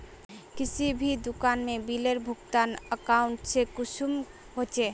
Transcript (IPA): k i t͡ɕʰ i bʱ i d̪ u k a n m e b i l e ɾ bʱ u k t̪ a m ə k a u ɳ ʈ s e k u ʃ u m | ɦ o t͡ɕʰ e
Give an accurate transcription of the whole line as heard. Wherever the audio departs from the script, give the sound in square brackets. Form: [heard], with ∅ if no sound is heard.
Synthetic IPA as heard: k i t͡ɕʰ i bʱ i d̪ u k a n m e b i l e ɾ bʱ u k t̪ a [n] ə k a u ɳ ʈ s e k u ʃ u m | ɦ o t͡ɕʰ e

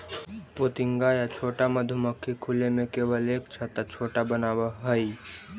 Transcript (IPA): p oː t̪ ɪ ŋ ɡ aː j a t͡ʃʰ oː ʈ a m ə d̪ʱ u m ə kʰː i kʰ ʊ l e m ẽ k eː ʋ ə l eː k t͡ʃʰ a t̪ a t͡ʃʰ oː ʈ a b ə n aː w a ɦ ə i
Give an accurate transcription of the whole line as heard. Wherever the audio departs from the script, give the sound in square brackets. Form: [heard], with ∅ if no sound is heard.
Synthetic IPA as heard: p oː t̪ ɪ ŋ ɡ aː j a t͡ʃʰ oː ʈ a m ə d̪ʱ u m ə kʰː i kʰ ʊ l e m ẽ k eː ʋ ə l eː k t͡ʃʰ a t̪ a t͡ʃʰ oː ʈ a b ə n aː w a ɦ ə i

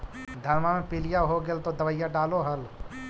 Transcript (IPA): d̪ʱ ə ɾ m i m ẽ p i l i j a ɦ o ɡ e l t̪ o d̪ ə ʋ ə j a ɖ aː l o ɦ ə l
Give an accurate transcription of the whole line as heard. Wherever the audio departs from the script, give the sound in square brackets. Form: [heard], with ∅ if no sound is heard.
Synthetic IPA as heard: d̪ʱ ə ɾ m [a] m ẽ p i l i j a ɦ o ɡ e l t̪ o d̪ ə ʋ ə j a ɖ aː l o ɦ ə l

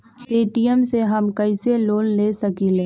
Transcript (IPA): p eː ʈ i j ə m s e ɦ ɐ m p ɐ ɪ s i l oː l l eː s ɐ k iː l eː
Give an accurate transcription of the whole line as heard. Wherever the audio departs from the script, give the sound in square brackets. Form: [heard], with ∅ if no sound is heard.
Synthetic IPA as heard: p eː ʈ i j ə m s e ɦ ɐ m [k] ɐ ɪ s [e] l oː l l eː s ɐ k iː l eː

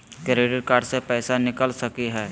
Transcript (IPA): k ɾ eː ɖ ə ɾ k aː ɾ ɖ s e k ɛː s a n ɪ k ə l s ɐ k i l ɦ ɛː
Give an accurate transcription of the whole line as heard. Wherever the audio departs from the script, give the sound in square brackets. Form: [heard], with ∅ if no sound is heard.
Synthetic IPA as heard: k ɾ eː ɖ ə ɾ k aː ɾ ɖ s e [p] ɛː s a n ɪ k ə l s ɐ k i [∅] ɦ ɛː

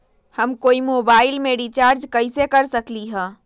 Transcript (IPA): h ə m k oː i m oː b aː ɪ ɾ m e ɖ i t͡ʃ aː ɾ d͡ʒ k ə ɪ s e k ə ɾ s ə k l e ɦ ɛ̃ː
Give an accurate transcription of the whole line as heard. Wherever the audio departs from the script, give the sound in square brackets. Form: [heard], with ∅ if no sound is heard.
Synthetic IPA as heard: h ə m k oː i m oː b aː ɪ [l] m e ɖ i t͡ʃ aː ɾ d͡ʒ k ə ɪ s e k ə ɾ s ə k l [i] ɦ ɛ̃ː

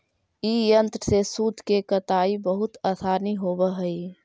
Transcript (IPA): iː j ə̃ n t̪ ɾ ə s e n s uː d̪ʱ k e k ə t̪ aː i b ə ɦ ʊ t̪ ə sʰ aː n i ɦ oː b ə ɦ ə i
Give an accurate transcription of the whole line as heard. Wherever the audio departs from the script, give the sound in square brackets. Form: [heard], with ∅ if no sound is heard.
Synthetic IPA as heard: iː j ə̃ n t̪ ɾ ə s e [∅] s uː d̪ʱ k e k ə t̪ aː i b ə ɦ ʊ t̪ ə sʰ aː n i ɦ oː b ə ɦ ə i

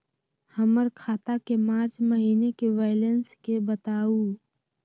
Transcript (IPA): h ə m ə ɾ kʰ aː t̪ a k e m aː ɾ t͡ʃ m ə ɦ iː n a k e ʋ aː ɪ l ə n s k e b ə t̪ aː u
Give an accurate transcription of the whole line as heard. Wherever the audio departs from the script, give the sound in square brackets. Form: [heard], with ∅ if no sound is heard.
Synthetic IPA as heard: h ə m ə ɾ kʰ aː t̪ a k e m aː ɾ t͡ʃ m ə ɦ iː n [e] k e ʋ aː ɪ l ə n s k e b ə t̪ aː u

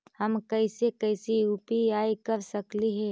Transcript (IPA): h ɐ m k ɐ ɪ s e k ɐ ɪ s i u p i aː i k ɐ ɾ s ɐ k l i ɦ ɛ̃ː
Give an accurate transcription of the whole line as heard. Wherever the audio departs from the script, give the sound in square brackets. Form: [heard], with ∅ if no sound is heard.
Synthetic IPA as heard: h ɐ m k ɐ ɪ s e k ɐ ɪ s i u p i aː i k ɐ ɾ s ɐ k l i ɦ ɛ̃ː

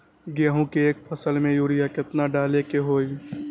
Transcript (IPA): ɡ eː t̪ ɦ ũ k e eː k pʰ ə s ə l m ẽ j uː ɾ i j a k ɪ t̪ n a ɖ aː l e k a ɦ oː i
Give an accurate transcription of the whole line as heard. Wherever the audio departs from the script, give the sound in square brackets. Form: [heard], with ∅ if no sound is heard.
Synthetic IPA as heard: ɡ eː [∅] ɦ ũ k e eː k pʰ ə s ə l m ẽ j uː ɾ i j a k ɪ t̪ n a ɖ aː l e k [e] ɦ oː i

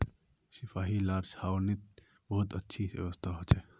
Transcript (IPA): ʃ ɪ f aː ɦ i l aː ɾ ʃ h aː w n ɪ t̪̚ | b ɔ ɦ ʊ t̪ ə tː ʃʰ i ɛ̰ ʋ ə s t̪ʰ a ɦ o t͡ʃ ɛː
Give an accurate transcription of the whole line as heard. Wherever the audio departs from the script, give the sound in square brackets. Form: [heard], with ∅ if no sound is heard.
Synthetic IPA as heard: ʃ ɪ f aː ɦ i l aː ɾ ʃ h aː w n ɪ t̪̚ | b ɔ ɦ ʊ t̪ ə tː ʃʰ i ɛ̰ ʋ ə s t̪ʰ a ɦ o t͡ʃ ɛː

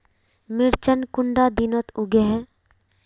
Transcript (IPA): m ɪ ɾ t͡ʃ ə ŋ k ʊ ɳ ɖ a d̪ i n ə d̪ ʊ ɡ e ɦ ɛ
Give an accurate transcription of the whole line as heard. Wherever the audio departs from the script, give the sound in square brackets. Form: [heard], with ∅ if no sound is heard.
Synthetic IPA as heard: m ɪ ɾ t͡ʃ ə [n] k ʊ ɳ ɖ a d̪ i n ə [t̪] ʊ ɡ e ɦ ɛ

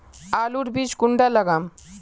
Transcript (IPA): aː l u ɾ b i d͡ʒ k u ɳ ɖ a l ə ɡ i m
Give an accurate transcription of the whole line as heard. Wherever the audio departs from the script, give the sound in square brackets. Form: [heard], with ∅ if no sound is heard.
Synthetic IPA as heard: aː l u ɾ b i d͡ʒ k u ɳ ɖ a l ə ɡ [a] m

